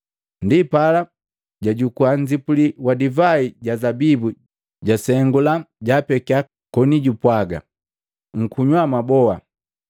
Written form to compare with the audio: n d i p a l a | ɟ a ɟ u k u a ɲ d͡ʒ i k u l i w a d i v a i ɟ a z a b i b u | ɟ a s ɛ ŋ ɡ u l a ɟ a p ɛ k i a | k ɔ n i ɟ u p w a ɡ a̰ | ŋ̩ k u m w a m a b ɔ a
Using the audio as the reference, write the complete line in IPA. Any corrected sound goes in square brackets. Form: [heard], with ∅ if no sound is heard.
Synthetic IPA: n d i p a l a | ɟ a ɟ u k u a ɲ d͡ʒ i [p] u l i w a d i v a i ɟ a z a b i b u | ɟ a s ɛ ŋ ɡ u l a ɟ a p ɛ k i a | k ɔ n i ɟ u p w a ɡ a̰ | ŋ̩ k u [ɲ] w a m a b ɔ a